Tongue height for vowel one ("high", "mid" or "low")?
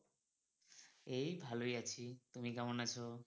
mid